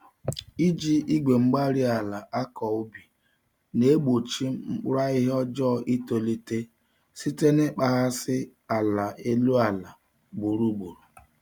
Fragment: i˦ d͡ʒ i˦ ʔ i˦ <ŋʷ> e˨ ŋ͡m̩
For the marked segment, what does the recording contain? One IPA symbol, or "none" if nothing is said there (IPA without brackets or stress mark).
ɡʷ